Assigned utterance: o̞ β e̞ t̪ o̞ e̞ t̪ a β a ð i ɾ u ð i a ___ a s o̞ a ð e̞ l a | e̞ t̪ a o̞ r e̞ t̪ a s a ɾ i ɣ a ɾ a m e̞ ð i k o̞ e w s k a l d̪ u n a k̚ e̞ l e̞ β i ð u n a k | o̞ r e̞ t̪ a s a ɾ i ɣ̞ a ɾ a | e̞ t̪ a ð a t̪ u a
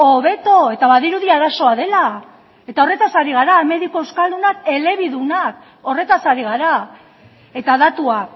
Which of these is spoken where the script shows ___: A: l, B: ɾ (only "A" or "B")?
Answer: B